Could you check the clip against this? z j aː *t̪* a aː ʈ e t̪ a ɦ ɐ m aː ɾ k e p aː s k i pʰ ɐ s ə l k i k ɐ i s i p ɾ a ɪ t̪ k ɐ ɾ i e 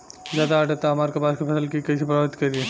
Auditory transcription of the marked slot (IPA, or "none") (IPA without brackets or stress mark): d̪